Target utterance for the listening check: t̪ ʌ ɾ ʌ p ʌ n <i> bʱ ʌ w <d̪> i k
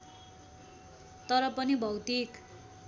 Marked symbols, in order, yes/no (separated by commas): yes, no